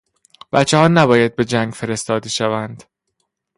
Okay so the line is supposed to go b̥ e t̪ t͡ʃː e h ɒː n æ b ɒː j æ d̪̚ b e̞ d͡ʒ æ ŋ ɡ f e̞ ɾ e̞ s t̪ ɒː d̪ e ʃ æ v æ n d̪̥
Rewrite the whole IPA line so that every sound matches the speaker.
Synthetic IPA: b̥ æ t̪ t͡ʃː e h ɒː n æ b ɒː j æ d̪̚ b e̞ d͡ʒ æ ŋ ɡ f e̞ ɾ e̞ s t̪ ɒː d̪ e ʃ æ v æ n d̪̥